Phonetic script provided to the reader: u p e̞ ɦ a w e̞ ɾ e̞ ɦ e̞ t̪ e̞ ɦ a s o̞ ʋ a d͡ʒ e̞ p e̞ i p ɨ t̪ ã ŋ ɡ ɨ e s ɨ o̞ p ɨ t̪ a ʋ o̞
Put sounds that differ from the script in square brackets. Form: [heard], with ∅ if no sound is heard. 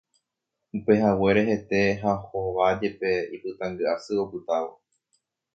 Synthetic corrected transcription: u p e̞ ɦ a w e̞ ɾ e̞ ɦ e̞ t̪ e̞ ɦ a [h] o̞ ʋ a d͡ʒ e̞ p e̞ i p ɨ t̪ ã ŋ ɡ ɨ [a] s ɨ o̞ p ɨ t̪ a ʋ o̞